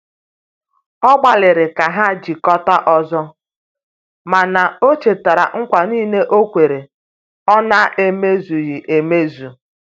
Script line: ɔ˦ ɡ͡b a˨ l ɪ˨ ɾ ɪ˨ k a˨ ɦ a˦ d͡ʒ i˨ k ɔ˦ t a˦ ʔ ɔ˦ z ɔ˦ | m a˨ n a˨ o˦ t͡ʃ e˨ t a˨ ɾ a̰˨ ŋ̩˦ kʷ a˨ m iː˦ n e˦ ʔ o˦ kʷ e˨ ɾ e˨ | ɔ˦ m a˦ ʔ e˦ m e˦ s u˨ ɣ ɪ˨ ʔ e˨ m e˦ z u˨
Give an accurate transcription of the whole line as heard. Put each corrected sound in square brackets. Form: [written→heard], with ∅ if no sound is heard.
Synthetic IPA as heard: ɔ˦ ɡ͡b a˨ l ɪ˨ ɾ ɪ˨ k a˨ ɦ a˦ d͡ʒ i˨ k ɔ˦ t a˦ ʔ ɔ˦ z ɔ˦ | m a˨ n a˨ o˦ t͡ʃ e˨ t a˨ ɾ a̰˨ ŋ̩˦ kʷ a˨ [m→n] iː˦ n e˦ ʔ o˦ kʷ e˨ ɾ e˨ | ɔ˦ [m→n] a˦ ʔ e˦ m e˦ [s→z] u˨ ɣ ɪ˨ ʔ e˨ m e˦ z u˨